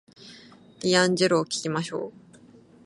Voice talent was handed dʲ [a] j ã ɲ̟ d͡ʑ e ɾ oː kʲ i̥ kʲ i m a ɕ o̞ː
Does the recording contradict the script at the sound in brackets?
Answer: yes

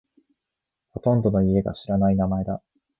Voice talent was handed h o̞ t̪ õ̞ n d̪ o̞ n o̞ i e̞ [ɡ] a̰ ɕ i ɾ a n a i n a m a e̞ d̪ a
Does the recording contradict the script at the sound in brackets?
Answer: no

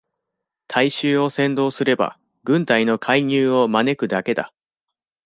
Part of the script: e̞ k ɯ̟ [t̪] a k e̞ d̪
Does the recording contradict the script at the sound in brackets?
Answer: yes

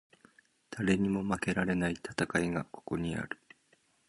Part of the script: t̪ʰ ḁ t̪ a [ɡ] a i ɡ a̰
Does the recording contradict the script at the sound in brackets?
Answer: yes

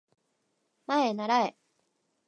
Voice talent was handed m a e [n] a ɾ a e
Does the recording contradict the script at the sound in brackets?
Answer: no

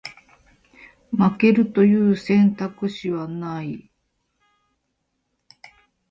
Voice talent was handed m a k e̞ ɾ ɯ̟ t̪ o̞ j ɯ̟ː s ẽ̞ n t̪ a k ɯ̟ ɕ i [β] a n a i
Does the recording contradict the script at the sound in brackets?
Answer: no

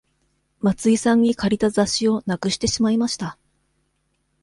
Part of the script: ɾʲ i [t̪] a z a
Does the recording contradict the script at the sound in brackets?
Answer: no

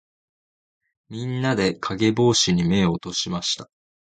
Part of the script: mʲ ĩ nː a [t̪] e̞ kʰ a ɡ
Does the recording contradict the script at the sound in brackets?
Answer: yes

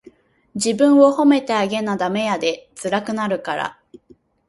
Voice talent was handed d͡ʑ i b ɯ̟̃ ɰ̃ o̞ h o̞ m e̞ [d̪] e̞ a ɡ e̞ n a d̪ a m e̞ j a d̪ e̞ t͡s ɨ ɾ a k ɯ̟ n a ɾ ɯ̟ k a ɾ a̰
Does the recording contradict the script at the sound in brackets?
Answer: yes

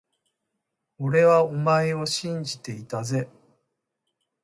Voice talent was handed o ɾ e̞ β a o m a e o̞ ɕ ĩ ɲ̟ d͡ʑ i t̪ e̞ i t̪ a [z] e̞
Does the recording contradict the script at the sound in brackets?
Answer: no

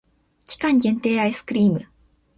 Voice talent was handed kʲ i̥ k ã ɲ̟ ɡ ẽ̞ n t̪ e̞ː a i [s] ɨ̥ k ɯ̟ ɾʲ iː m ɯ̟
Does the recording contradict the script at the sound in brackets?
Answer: no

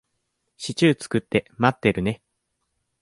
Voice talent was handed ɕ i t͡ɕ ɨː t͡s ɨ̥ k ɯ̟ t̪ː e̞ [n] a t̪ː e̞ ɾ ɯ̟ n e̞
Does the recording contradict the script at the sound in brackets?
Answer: yes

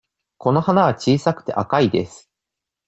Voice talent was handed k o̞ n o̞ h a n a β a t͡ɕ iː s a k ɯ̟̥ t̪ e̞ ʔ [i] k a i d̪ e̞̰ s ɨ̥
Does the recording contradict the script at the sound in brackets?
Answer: yes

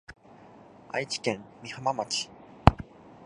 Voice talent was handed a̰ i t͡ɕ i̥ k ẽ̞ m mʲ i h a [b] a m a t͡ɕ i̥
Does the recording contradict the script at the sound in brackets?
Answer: yes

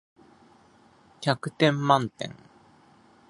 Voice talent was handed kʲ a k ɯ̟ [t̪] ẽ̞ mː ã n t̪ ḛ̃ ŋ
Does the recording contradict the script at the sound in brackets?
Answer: no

